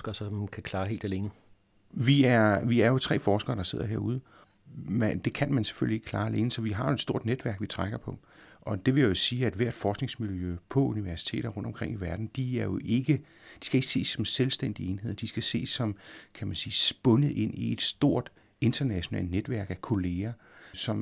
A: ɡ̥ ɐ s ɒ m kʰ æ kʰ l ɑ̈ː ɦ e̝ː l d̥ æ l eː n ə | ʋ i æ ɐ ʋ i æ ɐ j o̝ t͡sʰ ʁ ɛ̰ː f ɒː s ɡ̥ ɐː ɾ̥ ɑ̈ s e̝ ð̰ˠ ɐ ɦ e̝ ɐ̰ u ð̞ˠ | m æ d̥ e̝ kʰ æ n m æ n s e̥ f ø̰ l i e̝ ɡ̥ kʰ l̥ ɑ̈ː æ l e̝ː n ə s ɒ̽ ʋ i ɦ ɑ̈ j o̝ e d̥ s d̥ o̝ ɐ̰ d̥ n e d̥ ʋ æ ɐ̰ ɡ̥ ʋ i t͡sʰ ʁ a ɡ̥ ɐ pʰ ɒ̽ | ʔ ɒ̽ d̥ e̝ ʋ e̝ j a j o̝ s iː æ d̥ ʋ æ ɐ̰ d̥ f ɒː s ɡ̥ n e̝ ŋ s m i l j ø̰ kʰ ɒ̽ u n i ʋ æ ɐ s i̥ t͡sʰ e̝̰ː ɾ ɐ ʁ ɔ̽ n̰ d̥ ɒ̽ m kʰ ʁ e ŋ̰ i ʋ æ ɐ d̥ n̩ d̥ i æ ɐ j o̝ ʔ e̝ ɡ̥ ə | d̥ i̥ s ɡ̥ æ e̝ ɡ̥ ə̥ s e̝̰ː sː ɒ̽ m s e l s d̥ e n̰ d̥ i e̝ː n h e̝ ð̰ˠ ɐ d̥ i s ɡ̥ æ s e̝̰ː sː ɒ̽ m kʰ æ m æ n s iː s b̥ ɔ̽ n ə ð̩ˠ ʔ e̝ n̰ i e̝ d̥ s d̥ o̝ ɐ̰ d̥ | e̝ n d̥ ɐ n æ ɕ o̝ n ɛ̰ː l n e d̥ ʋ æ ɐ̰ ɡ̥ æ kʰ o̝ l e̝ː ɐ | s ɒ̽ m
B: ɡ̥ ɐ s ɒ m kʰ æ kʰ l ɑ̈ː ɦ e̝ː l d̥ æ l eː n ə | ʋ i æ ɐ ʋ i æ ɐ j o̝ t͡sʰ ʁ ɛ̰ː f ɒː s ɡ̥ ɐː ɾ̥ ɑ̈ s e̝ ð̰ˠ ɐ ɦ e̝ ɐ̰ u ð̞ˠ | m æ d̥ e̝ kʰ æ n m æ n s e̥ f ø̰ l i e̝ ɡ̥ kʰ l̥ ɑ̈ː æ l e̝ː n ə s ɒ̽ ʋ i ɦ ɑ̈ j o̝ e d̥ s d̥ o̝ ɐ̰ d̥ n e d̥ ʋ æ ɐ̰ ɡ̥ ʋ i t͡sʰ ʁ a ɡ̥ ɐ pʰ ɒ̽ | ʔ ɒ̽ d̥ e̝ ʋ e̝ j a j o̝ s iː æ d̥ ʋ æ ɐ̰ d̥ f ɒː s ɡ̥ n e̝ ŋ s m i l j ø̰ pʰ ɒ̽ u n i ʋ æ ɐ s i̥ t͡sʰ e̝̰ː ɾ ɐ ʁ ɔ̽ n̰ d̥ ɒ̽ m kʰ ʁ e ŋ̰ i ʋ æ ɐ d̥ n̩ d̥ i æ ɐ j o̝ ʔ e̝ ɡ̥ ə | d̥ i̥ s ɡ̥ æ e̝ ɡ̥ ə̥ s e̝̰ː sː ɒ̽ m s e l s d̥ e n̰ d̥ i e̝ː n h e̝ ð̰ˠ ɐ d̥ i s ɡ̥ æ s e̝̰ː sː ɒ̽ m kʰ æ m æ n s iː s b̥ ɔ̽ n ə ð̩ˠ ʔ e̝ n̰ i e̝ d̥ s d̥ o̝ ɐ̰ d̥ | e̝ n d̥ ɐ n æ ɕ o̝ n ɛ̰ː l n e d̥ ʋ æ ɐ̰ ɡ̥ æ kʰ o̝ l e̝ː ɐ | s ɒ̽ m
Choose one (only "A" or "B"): B